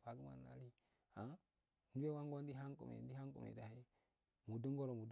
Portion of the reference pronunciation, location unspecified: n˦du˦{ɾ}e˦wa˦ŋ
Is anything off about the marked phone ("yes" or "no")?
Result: yes